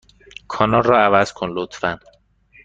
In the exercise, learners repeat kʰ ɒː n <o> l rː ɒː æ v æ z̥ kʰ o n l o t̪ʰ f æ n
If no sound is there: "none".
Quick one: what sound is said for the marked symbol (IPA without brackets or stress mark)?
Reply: ɒ